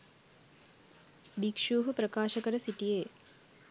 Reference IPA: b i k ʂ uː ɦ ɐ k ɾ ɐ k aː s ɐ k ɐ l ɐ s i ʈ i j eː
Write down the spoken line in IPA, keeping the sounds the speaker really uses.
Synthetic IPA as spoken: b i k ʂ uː ɦ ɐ p ɾ ɐ k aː ʃ ɐ k ɐ ɾ ɐ s i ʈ i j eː